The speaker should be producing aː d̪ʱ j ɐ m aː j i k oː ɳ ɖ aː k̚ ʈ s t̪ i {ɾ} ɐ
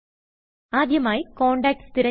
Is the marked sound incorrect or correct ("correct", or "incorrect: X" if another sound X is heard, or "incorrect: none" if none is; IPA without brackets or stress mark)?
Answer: correct